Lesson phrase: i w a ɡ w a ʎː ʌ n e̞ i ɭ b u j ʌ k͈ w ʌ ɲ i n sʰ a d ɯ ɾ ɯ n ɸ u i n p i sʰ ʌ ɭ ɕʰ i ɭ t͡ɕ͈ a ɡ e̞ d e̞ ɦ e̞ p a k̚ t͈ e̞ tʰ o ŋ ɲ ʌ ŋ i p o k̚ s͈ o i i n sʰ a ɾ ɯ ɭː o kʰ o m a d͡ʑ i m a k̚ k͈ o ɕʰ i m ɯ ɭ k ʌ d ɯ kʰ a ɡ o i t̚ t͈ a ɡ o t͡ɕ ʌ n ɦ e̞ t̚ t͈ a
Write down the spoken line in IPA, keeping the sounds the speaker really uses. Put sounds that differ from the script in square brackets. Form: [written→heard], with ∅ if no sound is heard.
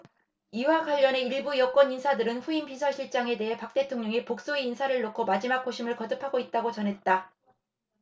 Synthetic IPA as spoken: i w a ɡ w a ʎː ʌ n e̞ i ɭ b u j ʌ k͈ w ʌ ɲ i n sʰ a d ɯ ɾ ɯ n ɸ u i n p i sʰ ʌ ɭ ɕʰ i ɭ t͡ɕ͈ a [ɡ→ŋ] e̞ d e̞ ɦ e̞ p a k̚ t͈ e̞ tʰ o ŋ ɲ ʌ ŋ i p o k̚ s͈ o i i n sʰ a ɾ ɯ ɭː o kʰ o m a d͡ʑ i m a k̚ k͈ o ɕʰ i m ɯ ɭ k ʌ d ɯ [kʰ→pʰ] a ɡ o i t̚ t͈ a ɡ o t͡ɕ ʌ n ɦ e̞ t̚ t͈ a